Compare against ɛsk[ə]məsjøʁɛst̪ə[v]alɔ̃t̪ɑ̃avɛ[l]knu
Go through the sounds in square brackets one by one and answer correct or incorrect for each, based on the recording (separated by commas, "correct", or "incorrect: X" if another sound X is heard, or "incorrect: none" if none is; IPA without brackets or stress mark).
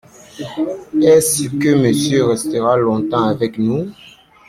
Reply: correct, incorrect: ʁ, incorrect: none